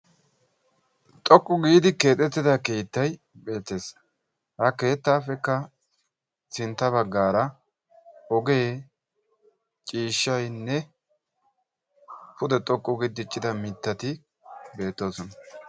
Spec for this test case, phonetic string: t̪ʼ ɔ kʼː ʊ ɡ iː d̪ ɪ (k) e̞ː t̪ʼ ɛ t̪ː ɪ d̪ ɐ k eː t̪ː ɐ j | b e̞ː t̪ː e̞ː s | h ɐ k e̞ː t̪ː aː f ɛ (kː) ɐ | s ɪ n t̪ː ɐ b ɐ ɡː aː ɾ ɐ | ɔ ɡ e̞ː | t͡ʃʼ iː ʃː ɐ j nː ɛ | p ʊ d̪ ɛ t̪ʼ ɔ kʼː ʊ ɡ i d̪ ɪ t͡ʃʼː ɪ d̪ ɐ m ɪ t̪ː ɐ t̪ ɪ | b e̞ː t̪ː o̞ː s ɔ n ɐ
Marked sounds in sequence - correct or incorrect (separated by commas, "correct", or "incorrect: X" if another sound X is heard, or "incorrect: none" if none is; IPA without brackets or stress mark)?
correct, correct